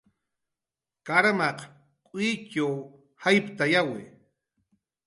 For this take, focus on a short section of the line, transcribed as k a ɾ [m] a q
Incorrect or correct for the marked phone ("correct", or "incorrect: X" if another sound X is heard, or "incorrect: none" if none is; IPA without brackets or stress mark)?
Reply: correct